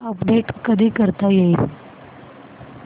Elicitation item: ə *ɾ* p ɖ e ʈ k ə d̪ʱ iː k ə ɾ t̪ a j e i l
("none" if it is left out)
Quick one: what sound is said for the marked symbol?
none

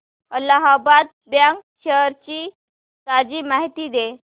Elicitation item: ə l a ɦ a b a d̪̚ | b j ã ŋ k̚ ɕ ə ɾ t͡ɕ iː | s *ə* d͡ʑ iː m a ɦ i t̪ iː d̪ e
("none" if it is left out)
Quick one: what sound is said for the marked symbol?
a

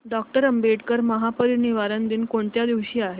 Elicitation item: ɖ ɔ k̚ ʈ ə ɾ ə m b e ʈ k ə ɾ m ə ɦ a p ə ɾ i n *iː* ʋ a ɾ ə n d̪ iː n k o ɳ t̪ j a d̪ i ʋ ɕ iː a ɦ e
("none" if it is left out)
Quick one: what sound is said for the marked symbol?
i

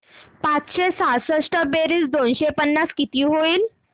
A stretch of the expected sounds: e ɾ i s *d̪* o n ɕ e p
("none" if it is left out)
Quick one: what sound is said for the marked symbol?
d̪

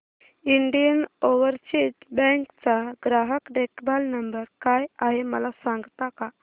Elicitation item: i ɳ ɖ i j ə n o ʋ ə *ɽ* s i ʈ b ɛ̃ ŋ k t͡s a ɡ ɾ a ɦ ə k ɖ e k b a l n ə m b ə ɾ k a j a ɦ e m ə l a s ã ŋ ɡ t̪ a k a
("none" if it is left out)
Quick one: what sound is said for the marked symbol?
ɾ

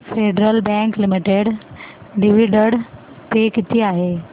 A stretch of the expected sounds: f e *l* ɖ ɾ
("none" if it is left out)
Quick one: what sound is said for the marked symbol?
none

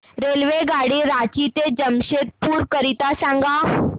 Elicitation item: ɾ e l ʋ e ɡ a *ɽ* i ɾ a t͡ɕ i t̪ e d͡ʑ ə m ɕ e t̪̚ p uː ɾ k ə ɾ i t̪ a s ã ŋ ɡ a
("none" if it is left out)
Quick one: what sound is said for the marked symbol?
ɽ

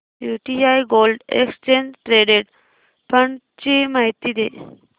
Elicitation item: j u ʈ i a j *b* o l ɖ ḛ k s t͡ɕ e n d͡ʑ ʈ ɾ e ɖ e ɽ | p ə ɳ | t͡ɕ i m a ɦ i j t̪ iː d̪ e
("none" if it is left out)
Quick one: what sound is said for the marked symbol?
ɡ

